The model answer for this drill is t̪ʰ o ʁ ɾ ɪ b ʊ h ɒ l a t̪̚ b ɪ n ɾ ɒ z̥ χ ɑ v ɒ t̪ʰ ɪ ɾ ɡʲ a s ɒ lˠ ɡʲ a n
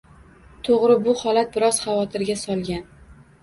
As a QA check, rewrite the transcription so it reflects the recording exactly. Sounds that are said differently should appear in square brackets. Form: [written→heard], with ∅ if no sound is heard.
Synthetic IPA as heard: t̪ʰ o ʁ ɾ ɪ b ʊ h ɒ l a t̪̚ b ɪ [n→∅] ɾ ɒ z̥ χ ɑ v ɒ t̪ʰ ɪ ɾ ɡʲ a s ɒ lˠ ɡʲ a n